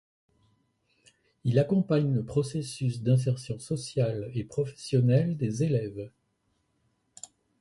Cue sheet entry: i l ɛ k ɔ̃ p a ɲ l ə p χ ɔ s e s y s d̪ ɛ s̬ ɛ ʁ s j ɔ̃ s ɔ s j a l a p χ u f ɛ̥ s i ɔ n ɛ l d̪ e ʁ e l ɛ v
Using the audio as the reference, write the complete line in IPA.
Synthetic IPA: i l a k ɔ̃ p a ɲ l ə p χ ɔ s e s y s d̪ ɛ̃ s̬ ɛ ʁ s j ɔ̃ s ɔ s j a l e p χ ɔ f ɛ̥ s j ɔ n ɛ l d̪ e z e l ɛ v